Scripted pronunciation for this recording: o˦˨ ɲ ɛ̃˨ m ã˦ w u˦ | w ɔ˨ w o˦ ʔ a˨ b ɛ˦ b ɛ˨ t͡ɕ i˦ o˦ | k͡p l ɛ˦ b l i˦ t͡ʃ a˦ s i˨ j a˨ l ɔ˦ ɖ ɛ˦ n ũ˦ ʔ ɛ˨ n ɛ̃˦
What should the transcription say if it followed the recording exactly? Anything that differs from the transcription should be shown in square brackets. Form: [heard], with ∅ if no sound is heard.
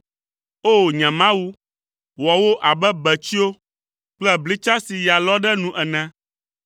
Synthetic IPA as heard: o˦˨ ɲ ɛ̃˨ m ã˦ w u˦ | w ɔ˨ w o˦ ʔ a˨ b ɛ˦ b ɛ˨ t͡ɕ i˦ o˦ | k͡p l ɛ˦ b l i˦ t͡ʃ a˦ s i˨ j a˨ l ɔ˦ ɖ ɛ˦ n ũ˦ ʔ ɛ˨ n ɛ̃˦